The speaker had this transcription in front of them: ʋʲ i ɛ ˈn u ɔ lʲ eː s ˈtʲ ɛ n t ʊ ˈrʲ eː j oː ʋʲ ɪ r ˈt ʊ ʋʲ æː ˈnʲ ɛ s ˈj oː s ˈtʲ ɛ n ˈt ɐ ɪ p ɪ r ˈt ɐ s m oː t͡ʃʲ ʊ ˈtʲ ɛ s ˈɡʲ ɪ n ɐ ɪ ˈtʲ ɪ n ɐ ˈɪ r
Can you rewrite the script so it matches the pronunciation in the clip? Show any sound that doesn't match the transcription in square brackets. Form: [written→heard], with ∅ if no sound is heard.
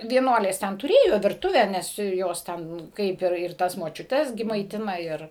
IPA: ʋʲ i ɛ ˈn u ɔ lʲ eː s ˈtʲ ɛ n t ʊ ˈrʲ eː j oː ʋʲ ɪ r ˈt ʊ ʋʲ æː ˈnʲ ɛ s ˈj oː s ˈtʲ ɛ n [ˈt→ˈk] ɐ ɪ p ɪ r ˈt ɐ s m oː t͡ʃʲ ʊ ˈtʲ ɛ s ˈɡʲ ɪ [n→m] ɐ ɪ ˈtʲ ɪ n ɐ ˈɪ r